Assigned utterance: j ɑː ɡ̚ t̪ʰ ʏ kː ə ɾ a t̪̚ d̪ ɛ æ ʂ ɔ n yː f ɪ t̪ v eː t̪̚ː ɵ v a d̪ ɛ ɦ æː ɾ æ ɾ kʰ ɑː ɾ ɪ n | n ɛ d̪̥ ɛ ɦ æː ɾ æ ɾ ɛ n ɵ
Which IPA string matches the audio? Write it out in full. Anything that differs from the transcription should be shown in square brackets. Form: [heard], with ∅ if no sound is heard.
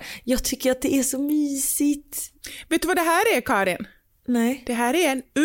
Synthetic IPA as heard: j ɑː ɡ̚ t̪ʰ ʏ kː ə ɾ a t̪̚ d̪ ɛ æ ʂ ɔ [m] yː [s] ɪ t̪ v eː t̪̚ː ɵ v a d̪ ɛ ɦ æː ɾ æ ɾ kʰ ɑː ɾ ɪ n | n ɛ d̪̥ ɛ ɦ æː ɾ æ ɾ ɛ n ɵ